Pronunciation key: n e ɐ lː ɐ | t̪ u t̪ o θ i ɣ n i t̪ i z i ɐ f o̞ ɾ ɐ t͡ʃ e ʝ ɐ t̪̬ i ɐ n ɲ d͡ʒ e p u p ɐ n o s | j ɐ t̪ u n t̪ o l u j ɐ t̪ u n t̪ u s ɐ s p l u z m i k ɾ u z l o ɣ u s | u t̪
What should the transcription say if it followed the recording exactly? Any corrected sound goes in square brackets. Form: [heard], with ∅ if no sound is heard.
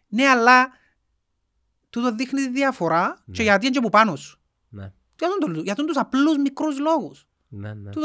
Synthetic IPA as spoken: n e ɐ lː ɐ | t̪ u t̪ o [ð] i [x] n i t̪ i [ð] i ɐ f o̞ ɾ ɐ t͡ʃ e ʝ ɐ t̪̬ i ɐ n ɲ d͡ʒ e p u p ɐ n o s | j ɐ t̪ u n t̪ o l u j ɐ t̪ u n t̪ u s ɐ [∅] p l u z m i k ɾ u z l o ɣ u s | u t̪